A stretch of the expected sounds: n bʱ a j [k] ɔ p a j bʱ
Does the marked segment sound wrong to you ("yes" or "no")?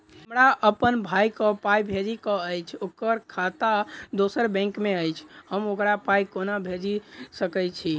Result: no